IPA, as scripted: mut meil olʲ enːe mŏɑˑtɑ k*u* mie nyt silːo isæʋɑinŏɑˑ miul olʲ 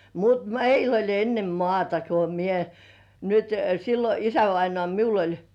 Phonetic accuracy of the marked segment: incorrect: o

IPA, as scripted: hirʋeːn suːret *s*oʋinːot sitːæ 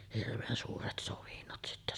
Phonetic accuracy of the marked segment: correct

